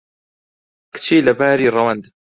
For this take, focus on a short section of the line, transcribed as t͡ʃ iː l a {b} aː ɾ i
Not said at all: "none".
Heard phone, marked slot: b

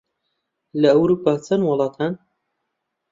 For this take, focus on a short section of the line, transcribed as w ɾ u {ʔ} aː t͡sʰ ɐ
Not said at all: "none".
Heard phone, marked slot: p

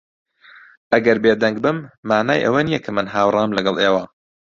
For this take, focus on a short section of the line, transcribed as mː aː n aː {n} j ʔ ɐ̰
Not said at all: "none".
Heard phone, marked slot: none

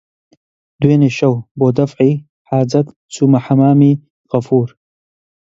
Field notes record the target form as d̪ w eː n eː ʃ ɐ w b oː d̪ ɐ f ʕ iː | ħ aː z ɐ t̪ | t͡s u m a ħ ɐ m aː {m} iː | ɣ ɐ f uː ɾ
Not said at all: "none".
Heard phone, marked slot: m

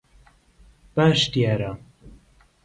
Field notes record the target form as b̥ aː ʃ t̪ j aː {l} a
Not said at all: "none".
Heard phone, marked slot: ɾ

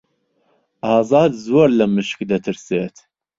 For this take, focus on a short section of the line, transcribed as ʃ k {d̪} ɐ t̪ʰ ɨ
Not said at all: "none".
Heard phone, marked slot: d̪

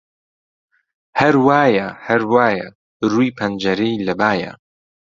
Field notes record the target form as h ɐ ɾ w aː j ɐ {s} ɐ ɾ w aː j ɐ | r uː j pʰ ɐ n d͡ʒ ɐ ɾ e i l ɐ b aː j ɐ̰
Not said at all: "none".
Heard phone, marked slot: h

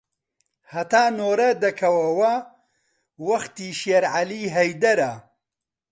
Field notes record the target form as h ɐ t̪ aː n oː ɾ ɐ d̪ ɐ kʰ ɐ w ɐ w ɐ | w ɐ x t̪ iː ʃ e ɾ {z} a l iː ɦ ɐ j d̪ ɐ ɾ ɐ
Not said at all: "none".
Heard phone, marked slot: ʕ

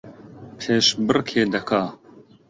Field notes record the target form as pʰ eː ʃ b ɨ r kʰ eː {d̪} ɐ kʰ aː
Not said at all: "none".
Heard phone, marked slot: d̪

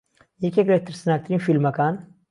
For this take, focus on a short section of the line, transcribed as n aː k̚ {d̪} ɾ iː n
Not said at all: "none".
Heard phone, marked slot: t̪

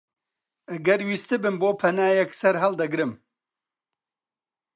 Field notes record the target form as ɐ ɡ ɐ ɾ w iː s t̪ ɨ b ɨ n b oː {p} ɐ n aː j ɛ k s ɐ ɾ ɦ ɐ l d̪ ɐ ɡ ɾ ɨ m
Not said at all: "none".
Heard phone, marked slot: pʰ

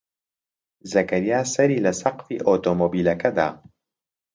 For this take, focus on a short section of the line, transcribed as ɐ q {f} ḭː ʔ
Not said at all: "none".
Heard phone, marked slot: f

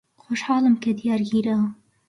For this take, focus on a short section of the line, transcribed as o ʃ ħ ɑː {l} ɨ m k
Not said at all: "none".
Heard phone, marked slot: l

